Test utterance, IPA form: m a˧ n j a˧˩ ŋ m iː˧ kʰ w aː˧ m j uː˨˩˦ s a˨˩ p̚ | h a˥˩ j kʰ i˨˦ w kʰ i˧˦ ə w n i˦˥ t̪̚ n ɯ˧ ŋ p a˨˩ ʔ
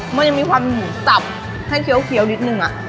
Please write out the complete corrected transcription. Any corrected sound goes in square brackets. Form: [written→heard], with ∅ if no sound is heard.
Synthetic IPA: m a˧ n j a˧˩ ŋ m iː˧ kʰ w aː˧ m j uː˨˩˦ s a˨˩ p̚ | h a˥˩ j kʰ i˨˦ w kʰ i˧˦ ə w n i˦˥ t̪̚ n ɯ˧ ŋ [p→ʔ] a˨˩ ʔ